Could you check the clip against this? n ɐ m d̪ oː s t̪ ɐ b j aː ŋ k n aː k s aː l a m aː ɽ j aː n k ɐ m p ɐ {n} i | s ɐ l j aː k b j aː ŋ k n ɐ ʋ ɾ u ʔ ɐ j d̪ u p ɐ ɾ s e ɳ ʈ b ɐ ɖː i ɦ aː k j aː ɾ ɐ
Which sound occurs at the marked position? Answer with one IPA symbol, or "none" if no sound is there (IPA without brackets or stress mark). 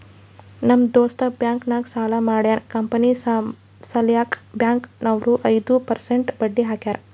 n